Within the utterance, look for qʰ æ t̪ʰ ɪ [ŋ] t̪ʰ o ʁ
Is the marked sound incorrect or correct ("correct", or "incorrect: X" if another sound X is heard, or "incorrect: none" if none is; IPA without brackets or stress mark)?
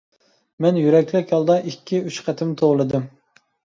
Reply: incorrect: m